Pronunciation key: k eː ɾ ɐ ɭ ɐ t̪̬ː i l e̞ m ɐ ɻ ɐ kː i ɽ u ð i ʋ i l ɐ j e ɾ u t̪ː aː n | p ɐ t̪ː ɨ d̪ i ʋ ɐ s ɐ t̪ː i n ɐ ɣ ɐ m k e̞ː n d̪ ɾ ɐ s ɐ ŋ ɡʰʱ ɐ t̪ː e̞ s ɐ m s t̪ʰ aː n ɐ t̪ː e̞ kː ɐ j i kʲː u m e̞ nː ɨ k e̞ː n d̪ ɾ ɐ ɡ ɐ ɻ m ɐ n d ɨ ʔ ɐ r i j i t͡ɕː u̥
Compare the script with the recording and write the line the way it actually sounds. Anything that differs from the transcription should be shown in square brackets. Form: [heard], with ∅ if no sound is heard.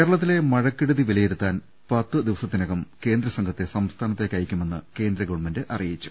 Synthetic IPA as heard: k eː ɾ ɐ ɭ ɐ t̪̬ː i l e̞ m ɐ ɻ ɐ kː i ɽ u ð i ʋ i l ɐ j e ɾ u t̪ː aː n | p ɐ t̪ː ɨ d̪ i ʋ ɐ s ɐ t̪ː i n ɐ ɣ ɐ m k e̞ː n d̪ ɾ ɐ s ɐ ŋ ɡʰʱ ɐ t̪ː e̞ s ɐ m s t̪ʰ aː n ɐ t̪ː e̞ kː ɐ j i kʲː u m e̞ nː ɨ k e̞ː n d̪ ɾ ɐ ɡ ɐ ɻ m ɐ n d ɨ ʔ ɐ r i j i t͡ɕː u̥